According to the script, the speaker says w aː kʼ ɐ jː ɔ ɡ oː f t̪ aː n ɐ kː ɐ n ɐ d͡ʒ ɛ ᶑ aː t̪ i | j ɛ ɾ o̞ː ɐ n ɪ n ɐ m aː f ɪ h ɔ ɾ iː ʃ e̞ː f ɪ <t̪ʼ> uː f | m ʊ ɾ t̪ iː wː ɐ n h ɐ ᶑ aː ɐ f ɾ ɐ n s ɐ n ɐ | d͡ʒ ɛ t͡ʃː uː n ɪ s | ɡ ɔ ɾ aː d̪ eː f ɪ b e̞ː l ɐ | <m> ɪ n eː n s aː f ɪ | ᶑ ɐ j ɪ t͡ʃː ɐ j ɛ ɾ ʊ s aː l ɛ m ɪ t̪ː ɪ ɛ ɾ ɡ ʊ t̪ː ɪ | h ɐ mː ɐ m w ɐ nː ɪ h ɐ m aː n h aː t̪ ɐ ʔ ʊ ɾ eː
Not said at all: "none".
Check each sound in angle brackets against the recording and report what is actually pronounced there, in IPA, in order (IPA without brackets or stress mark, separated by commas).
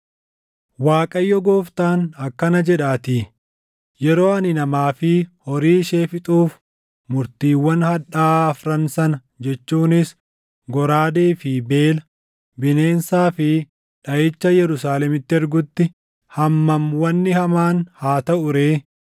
t̪ʼ, b